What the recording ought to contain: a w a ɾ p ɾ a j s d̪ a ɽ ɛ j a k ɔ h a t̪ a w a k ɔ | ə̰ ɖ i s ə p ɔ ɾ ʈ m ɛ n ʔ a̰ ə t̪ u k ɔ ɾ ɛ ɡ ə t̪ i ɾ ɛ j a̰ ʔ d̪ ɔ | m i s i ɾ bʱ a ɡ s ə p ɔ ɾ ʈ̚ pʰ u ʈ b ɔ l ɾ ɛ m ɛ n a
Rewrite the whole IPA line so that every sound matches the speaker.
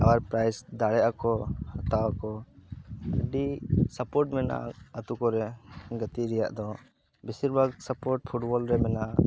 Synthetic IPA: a w a ɾ p ɾ a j s d̪ a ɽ ɛ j a k ɔ h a t̪ a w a k ɔ | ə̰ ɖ i s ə p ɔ ɾ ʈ m ɛ n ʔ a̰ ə t̪ u k ɔ ɾ ɛ ɡ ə t̪ i ɾ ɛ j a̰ ʔ d̪ ɔ | b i s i ɾ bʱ a ɡ s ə p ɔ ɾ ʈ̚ pʰ u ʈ b ɔ l ɾ ɛ m ɛ n a